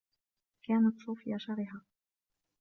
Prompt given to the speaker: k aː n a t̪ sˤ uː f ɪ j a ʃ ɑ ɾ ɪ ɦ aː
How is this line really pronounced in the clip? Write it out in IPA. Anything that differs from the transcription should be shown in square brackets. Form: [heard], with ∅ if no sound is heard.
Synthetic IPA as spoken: k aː n a t̪ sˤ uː f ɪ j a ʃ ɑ ɾ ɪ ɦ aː